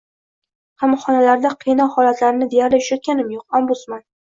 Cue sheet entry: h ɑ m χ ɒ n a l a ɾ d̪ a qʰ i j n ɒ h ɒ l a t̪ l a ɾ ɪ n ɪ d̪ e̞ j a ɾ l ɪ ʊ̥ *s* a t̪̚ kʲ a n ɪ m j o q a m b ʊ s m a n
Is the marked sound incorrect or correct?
incorrect